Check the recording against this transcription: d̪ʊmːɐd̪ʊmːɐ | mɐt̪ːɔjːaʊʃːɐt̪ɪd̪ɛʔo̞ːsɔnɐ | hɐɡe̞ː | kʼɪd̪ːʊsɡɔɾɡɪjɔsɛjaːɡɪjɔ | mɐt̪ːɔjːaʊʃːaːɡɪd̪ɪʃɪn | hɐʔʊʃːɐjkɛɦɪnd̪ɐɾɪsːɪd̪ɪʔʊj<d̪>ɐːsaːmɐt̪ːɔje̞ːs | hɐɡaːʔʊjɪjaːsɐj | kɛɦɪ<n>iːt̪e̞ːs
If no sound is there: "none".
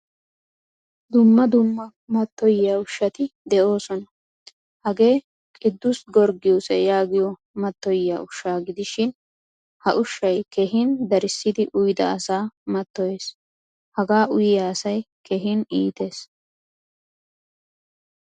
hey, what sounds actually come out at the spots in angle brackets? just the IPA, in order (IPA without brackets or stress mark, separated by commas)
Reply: d̪, n